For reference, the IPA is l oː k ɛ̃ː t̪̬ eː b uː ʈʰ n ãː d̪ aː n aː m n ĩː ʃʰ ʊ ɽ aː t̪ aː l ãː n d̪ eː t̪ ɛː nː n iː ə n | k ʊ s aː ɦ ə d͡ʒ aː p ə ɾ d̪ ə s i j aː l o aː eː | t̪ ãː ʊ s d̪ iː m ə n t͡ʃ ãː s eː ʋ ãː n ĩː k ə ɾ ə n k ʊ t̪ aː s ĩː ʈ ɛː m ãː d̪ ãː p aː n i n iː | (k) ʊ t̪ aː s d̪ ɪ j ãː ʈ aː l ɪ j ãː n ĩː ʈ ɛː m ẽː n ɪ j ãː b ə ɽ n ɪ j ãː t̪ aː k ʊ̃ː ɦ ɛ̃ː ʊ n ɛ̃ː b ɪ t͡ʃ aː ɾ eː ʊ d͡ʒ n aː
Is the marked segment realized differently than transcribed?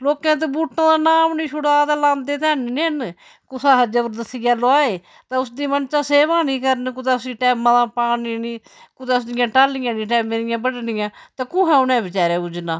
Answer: no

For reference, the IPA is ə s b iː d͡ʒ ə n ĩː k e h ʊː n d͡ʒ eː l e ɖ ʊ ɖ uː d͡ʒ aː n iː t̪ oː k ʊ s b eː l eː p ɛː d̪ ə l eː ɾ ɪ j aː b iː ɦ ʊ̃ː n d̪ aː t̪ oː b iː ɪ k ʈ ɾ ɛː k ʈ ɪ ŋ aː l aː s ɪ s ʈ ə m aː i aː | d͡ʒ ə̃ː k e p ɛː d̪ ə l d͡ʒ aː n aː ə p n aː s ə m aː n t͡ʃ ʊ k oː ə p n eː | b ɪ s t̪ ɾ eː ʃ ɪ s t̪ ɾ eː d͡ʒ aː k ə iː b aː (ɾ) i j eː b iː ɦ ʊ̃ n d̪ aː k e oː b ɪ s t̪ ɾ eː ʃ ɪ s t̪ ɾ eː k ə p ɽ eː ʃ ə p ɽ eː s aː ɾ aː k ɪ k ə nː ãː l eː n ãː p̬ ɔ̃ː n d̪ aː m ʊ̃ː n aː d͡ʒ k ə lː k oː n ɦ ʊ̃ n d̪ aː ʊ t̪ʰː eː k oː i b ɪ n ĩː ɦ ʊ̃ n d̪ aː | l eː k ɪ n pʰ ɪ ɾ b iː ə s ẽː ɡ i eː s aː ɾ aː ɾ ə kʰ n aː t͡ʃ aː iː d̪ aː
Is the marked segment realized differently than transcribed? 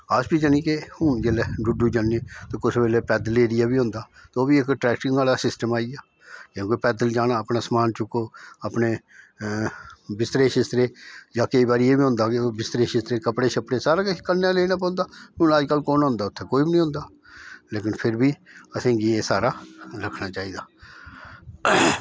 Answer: no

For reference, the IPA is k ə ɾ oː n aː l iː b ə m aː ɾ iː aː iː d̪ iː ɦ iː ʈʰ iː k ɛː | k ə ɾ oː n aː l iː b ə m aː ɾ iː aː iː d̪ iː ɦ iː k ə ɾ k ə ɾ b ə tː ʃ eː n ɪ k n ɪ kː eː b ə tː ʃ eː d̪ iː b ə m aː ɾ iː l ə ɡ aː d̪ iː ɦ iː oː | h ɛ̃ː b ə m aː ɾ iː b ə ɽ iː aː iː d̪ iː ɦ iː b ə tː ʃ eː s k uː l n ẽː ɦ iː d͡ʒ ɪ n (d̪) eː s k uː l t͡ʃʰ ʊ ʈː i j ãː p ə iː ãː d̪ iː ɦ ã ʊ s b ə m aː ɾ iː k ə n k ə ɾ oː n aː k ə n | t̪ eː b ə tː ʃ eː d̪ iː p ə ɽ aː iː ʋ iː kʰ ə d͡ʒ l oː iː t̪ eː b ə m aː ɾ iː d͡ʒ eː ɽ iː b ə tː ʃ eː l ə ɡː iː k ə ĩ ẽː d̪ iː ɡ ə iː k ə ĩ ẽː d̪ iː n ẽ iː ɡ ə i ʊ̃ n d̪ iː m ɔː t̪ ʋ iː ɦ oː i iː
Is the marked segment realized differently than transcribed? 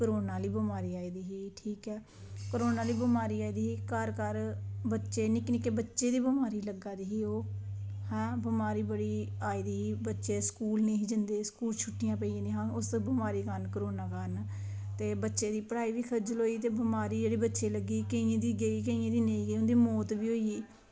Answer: no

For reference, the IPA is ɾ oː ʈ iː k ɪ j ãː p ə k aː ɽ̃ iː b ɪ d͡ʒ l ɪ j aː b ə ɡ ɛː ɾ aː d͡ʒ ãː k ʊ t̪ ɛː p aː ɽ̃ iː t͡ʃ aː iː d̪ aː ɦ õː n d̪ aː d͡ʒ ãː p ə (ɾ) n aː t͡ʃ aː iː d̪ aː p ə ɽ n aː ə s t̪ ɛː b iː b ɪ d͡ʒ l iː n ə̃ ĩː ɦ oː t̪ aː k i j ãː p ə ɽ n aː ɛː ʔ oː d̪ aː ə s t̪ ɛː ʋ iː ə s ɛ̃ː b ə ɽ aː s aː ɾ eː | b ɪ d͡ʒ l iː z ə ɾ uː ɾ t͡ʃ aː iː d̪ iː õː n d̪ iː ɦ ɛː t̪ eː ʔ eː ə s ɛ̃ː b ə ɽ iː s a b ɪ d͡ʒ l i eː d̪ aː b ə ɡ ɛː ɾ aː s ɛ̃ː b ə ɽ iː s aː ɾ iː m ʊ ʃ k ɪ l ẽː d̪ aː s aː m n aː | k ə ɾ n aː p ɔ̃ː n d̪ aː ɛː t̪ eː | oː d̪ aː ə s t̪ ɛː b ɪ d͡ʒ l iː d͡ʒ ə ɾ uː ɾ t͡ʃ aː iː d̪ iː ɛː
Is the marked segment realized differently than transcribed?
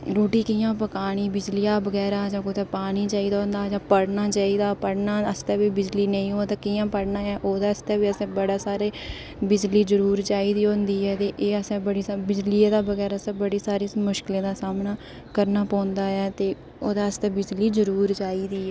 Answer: yes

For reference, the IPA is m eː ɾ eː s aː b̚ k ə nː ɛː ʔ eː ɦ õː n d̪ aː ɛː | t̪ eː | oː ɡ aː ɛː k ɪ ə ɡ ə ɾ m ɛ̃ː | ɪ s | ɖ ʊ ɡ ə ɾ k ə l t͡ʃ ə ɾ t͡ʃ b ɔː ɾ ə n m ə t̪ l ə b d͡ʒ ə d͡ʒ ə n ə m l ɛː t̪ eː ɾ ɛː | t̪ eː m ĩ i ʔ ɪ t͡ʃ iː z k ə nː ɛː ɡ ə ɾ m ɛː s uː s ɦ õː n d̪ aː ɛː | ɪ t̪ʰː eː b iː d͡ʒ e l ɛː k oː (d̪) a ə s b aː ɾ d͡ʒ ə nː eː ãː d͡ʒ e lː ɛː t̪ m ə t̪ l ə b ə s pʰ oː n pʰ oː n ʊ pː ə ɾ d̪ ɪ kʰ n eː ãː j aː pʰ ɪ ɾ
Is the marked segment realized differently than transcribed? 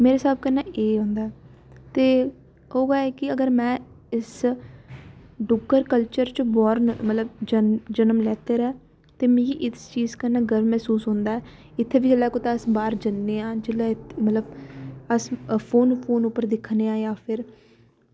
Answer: yes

